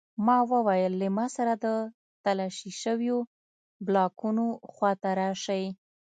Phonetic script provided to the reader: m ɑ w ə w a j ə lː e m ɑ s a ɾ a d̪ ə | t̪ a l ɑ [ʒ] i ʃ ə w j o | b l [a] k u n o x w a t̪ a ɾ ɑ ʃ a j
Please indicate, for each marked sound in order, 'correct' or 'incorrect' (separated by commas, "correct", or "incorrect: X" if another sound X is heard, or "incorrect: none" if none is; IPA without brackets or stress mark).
incorrect: ʃ, incorrect: ɑ